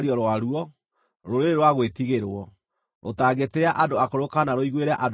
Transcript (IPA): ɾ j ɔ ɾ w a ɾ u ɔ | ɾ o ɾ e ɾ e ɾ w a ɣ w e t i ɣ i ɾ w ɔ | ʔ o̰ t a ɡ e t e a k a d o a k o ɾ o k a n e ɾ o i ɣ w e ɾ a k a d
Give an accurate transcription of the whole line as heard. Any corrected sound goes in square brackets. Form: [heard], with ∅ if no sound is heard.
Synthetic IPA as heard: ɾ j ɔ ɾ w a ɾ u ɔ | ɾ o ɾ e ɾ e ɾ w a ɣ w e t i ɣ [e] ɾ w ɔ | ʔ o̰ t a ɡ e t e a [ʔ] a d o a k o ɾ o k a n [a] ɾ o i ɣ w e ɾ a [ʔ] a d